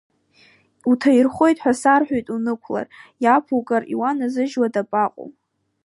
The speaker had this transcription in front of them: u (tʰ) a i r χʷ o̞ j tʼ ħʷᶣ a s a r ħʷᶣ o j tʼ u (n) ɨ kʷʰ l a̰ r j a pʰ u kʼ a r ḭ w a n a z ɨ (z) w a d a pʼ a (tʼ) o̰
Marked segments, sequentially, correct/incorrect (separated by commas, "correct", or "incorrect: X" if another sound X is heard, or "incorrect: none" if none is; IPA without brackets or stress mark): correct, correct, incorrect: ʒ, incorrect: qʼ